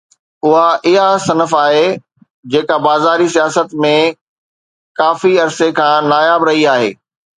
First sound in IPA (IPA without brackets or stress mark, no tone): ʊ